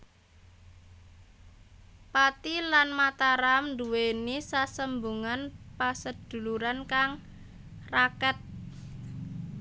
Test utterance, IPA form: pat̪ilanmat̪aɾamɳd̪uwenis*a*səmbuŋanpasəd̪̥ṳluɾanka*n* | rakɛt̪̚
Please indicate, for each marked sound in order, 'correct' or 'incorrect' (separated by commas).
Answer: correct, incorrect